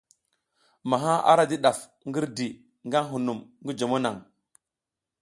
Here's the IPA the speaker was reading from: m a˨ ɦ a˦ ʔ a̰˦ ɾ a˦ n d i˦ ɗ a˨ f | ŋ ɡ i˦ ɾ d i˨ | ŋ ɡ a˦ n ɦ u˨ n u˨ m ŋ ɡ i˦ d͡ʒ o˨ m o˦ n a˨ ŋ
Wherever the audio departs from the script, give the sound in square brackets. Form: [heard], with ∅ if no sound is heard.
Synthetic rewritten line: m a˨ ɦ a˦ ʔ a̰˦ ɾ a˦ [∅] d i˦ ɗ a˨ f | ŋ ɡ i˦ ɾ d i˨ | ŋ ɡ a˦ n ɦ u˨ n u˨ m ŋ ɡ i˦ d͡ʒ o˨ m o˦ n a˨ ŋ